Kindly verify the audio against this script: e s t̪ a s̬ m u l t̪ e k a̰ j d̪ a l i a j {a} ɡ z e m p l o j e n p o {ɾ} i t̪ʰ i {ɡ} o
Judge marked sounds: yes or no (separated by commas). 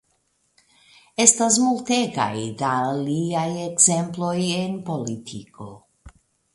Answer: no, no, no